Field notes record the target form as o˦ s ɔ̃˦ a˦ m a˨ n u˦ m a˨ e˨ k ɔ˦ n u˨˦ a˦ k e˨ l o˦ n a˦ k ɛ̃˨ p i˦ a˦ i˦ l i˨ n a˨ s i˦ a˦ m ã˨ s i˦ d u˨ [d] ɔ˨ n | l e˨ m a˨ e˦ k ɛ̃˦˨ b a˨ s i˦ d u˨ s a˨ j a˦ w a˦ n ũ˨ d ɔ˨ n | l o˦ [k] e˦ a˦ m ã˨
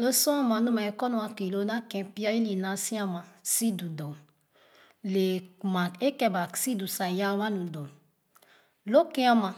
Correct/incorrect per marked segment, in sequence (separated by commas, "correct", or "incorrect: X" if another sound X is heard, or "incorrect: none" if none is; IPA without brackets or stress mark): correct, correct